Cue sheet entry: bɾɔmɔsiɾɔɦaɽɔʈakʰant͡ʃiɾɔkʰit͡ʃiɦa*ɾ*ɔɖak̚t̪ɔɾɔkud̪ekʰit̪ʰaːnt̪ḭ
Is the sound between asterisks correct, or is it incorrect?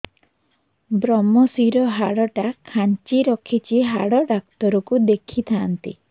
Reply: incorrect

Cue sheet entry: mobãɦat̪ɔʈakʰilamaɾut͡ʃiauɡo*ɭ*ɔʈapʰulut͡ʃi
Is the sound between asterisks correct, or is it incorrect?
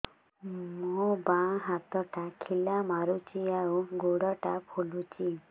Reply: incorrect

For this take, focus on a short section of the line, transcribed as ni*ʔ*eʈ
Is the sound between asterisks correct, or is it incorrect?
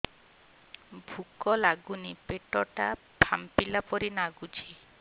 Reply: incorrect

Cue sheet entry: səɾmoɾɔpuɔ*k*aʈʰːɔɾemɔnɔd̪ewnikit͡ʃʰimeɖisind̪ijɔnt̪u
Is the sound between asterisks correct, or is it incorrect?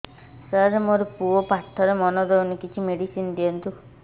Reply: incorrect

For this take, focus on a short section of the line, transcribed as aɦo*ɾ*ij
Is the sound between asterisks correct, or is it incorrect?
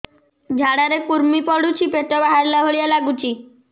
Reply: incorrect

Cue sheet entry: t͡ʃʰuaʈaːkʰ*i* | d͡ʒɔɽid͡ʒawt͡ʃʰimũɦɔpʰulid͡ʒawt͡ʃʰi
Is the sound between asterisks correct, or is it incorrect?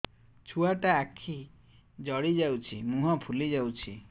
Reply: correct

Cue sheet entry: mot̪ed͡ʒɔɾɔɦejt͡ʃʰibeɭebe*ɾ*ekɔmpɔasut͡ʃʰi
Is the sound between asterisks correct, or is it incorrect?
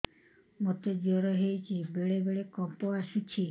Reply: incorrect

